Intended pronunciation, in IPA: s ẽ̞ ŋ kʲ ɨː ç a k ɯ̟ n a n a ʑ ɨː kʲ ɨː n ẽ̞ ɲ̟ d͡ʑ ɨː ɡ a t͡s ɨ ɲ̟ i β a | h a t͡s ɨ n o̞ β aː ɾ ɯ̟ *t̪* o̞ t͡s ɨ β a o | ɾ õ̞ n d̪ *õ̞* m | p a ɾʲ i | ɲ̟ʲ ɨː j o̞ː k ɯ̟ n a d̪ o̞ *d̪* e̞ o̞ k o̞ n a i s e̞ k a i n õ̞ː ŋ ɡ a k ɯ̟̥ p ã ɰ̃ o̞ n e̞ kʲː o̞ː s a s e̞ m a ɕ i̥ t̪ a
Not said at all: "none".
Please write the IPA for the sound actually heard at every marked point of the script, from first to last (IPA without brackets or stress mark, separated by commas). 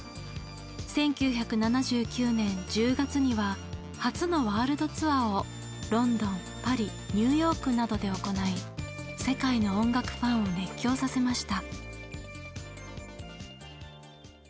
d̪, õ̞, d̪